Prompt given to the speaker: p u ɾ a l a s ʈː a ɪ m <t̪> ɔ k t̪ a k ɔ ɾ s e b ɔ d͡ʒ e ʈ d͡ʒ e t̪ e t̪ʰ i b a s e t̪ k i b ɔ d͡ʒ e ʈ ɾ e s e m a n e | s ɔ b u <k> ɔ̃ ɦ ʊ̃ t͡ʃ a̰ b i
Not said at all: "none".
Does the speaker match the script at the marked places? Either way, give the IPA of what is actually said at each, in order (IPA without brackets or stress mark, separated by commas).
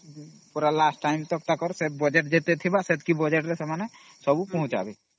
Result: t̪, p